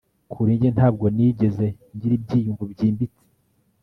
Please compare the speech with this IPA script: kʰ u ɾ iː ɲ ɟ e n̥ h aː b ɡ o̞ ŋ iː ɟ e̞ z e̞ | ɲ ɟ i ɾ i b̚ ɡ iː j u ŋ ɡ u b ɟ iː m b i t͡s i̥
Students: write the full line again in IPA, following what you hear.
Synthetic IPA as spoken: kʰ u ɾ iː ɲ ɟ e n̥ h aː b ɡ o̞ n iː ɟ e̞ z e̞ | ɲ ɟ i ɾ i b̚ ɟ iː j u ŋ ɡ u b ɟ iː m b i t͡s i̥